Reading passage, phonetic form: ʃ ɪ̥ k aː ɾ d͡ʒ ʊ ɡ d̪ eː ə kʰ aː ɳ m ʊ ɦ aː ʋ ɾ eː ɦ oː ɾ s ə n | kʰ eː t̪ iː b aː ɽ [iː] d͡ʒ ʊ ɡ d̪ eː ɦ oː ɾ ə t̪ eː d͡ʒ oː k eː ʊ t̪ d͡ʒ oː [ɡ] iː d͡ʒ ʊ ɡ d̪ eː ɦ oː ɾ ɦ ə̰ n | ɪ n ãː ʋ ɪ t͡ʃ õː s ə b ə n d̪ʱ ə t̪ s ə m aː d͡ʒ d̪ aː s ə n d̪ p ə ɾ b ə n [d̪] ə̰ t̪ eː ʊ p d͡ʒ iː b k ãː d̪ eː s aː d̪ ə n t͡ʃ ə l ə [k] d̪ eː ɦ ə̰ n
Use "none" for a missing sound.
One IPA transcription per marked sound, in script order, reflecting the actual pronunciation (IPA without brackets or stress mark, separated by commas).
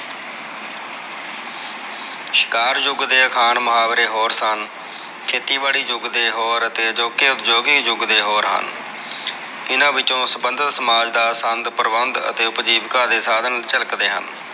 iː, ɡ, d̪, k